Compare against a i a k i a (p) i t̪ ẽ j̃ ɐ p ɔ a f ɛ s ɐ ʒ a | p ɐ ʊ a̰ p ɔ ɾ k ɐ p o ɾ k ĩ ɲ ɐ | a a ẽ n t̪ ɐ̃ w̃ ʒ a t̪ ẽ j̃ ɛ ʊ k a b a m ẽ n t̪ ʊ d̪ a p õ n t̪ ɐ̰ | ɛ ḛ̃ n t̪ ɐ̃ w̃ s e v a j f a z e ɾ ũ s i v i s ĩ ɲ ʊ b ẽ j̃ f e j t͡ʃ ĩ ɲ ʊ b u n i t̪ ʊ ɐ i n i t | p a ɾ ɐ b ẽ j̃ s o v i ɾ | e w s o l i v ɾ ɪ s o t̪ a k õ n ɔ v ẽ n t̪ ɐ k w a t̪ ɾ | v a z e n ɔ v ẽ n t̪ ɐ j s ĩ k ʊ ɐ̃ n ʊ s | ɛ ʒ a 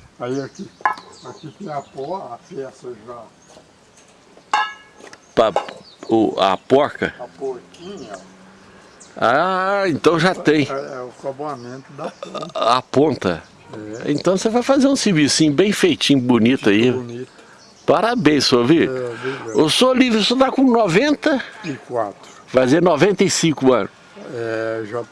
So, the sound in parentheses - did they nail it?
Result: no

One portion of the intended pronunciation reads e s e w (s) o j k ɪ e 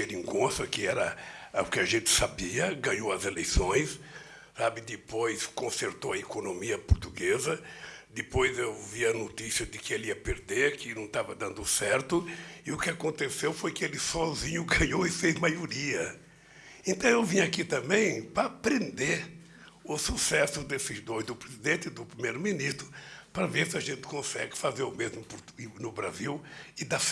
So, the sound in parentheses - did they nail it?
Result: no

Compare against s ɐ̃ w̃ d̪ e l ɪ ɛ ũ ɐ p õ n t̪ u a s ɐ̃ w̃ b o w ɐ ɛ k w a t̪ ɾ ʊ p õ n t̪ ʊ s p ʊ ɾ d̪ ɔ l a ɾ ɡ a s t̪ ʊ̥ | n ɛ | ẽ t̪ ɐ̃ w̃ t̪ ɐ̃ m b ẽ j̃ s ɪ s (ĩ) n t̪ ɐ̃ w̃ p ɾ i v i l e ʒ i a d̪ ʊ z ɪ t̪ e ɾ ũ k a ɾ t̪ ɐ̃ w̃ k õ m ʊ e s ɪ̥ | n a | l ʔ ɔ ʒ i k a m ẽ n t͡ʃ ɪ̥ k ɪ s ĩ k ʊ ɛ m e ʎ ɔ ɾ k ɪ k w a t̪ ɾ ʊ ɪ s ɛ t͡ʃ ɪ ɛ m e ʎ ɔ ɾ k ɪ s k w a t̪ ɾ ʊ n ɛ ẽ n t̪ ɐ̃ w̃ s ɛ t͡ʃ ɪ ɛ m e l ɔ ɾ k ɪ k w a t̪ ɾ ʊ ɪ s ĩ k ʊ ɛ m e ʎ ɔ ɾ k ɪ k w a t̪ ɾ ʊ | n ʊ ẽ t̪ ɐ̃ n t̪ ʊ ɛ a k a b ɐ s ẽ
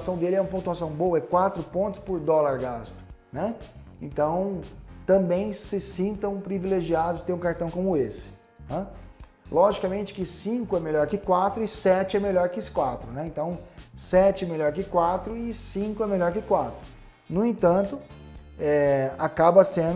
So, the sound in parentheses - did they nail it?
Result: yes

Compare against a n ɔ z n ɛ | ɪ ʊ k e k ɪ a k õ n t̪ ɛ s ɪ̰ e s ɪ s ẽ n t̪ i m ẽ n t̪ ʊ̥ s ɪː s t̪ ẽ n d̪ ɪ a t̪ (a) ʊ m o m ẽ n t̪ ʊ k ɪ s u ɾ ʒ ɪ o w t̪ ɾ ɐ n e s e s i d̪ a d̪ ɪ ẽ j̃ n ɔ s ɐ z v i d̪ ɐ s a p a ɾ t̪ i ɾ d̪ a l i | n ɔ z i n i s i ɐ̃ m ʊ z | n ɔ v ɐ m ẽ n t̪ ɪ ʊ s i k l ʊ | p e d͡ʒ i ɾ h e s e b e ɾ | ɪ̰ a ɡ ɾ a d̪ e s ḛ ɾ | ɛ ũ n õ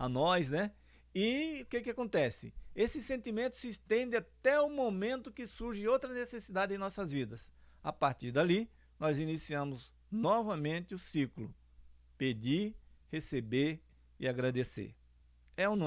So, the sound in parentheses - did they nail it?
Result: no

